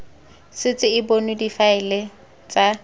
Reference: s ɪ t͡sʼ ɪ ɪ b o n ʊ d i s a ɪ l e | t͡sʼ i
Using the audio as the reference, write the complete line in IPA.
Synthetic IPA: s ɪ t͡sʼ ɪ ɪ b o n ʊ d i f a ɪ l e | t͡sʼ a